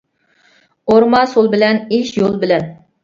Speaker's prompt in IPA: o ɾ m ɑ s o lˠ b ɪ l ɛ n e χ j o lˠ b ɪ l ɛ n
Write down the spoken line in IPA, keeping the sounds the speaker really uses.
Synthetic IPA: o ɾ m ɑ s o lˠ b ɪ l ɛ n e ʃ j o lˠ b ɪ l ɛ n